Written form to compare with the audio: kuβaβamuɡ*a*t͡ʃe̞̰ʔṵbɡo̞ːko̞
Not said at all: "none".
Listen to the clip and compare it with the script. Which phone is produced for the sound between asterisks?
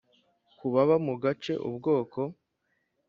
a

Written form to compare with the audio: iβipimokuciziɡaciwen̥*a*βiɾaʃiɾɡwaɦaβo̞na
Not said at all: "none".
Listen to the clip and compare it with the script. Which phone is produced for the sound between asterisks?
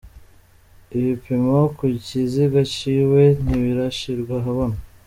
i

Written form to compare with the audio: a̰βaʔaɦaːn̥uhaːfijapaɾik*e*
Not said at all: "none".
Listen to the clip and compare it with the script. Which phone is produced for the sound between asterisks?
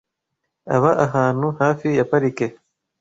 e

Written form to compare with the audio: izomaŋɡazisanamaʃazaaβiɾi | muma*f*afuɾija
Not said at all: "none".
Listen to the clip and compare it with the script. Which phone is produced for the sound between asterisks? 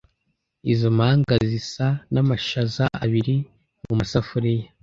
s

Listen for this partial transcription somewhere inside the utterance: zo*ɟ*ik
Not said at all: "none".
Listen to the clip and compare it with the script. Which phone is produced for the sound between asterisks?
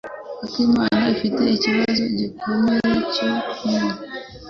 ɟ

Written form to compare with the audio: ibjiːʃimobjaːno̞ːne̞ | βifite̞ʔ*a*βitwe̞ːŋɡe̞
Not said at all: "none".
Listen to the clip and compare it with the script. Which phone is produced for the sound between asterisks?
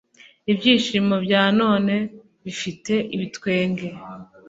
i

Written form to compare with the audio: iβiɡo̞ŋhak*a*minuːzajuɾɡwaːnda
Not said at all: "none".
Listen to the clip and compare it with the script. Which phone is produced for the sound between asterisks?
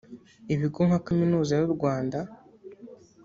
a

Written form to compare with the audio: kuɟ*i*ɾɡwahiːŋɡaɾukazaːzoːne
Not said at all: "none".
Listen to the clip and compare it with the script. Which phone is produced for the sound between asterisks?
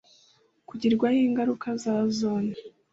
i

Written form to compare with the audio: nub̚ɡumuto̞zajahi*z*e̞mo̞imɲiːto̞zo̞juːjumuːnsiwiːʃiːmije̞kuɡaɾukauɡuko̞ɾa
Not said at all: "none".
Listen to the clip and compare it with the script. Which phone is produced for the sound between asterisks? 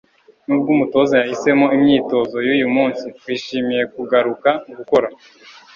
s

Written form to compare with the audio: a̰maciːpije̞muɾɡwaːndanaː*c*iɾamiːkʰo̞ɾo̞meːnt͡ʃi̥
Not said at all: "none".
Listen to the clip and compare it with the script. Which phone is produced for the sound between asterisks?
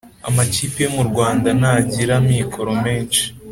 ɟ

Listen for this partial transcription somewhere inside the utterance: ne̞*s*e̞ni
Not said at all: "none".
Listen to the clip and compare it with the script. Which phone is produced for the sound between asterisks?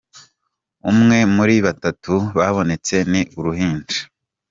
t͡s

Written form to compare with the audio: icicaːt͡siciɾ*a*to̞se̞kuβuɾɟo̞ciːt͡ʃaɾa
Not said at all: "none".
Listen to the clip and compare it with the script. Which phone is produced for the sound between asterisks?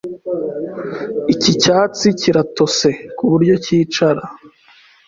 a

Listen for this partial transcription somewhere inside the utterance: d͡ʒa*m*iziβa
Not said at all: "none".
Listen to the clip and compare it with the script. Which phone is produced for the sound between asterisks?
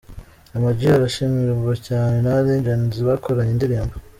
n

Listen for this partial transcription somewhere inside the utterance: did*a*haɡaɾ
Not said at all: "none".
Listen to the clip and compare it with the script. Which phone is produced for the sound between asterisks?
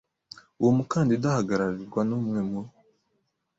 a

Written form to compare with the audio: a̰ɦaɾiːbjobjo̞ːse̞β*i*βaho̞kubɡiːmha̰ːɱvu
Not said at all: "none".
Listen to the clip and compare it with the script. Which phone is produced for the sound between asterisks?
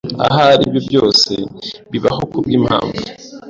i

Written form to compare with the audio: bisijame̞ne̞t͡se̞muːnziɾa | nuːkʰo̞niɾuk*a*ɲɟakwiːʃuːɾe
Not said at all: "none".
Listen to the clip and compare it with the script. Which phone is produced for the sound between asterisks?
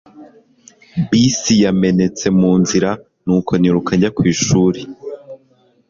a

